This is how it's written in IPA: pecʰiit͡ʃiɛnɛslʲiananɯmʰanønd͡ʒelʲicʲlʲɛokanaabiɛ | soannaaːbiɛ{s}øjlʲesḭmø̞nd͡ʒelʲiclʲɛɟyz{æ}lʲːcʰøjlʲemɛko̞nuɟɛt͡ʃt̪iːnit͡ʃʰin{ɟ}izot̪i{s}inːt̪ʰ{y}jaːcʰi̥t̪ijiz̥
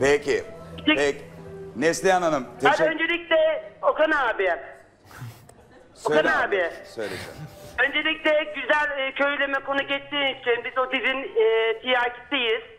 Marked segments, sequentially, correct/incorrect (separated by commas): correct, correct, incorrect, incorrect, incorrect